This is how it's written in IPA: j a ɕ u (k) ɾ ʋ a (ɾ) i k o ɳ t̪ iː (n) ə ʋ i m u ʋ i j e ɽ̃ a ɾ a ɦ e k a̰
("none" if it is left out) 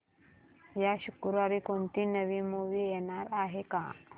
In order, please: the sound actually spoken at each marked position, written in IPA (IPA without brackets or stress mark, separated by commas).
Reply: k, ɾ, n